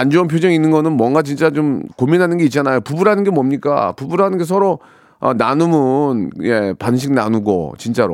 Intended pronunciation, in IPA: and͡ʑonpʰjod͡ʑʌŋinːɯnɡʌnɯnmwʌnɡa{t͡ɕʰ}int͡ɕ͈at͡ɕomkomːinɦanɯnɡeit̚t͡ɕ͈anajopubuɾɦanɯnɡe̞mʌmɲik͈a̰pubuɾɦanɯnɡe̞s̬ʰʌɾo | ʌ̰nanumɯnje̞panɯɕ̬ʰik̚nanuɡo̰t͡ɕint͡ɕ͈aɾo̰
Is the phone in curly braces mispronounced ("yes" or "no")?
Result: yes